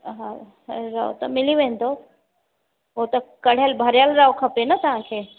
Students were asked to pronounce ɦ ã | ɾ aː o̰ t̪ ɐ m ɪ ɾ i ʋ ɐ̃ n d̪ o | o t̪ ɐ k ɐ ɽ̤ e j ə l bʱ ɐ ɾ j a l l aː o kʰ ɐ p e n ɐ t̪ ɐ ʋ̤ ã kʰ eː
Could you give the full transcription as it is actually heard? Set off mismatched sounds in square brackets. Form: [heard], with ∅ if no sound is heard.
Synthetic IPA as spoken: ɦ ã | ɾ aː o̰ t̪ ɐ m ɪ [l] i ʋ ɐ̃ n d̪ o | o t̪ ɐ k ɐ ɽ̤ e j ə l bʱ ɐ ɾ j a l [ɾ] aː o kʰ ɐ p e n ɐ t̪ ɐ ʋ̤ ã kʰ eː